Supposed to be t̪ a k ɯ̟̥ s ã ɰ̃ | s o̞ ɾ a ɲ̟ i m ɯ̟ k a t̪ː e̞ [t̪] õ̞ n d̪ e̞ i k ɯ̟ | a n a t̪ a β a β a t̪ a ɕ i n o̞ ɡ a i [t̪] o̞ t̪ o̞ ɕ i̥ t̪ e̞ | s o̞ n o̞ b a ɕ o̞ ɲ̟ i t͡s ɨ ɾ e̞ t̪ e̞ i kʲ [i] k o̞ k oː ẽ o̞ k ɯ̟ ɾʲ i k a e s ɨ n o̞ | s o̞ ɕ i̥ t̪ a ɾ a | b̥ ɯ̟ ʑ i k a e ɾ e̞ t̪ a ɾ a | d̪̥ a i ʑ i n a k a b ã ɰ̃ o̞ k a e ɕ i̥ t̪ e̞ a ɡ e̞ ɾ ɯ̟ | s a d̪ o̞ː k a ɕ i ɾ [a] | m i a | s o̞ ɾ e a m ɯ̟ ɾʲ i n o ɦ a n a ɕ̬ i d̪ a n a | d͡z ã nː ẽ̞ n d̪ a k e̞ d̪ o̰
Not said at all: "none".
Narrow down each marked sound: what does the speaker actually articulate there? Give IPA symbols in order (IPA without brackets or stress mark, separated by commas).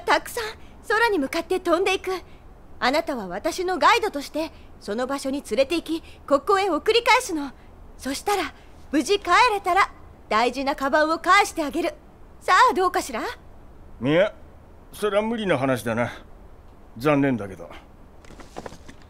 t̪, d̪, i, a